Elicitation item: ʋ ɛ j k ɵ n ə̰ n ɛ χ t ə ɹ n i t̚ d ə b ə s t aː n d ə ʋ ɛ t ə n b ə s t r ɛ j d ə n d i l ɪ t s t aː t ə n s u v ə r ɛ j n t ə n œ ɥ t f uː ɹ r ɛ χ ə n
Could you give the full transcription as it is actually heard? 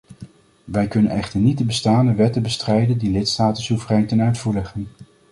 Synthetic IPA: ʋ ɛ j k ɵ n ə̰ n ɛ χ t ə ɹ n i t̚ d ə b ə s t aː n d ə ʋ ɛ t ə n b ə s t r ɛ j d ə n d i l ɪ t s t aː t ə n s u v ə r ɛ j n t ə n œ ɥ t f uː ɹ l ɛ χ ə n